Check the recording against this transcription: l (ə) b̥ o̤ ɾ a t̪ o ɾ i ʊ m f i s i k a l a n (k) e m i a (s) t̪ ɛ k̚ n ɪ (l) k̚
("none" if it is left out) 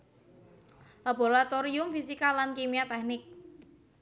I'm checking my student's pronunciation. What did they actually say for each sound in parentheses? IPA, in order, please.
a, k, none, none

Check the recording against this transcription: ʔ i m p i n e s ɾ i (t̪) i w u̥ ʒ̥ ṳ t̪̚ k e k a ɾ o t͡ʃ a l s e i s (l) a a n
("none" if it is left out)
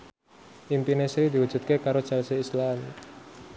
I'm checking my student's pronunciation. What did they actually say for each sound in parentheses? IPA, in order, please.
d̪, l

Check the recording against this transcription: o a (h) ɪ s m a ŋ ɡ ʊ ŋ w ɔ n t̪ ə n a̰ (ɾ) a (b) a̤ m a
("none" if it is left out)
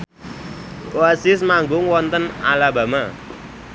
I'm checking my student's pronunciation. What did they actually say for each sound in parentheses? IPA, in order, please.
s, l, b

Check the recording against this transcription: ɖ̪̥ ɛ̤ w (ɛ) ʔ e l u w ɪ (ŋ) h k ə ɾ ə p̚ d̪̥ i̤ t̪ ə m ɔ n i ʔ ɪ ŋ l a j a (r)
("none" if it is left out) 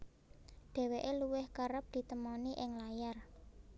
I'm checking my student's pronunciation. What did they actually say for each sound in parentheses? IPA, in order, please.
e, none, r

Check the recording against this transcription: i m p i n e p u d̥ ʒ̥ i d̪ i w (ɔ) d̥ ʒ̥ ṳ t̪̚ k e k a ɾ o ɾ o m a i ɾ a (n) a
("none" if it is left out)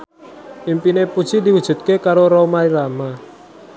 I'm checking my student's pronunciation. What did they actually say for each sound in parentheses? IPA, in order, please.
u, m

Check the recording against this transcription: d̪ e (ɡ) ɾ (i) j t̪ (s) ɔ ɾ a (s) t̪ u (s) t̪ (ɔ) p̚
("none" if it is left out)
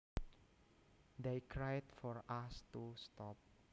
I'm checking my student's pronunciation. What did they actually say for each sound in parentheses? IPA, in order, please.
k, a, f, s, s, ɔ

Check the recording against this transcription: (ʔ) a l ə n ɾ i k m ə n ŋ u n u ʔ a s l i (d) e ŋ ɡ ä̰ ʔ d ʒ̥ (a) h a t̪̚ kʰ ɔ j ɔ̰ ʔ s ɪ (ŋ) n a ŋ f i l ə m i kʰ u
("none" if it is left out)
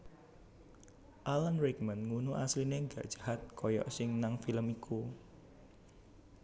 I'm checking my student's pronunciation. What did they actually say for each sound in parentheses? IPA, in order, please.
ʔ, n, a, ŋ

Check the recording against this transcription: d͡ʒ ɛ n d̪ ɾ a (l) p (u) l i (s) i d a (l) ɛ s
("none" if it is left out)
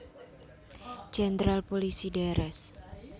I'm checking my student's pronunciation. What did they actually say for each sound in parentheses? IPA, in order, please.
l, o, s, ɾ

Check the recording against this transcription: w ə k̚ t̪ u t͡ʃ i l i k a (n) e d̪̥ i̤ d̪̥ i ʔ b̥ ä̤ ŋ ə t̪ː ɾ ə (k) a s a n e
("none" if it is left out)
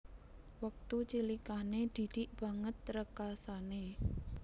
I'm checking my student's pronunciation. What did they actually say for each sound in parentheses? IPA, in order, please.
n, k

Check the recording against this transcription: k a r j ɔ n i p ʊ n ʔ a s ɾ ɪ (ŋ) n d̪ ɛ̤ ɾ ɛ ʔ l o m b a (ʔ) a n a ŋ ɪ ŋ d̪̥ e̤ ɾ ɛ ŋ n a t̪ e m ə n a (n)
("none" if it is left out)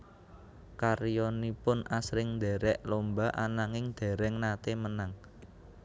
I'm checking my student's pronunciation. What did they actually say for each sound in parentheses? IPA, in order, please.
ŋ, ʔ, ŋ

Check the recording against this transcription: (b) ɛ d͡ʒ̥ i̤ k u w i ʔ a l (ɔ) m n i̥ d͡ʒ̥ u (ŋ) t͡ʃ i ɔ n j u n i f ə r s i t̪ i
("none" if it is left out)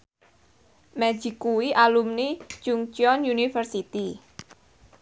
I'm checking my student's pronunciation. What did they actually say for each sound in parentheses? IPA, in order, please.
m, u, ŋ

